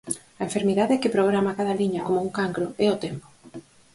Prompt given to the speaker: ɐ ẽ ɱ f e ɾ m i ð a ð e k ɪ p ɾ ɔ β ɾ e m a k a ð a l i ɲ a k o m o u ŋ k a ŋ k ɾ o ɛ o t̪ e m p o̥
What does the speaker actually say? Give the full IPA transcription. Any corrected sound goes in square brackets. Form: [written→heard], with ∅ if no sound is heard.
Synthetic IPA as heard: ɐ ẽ ɱ f e ɾ m i ð a ð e k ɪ p ɾ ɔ β ɾ [e→a] m a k a ð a l i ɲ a k o m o u ŋ k a ŋ k ɾ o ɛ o t̪ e m p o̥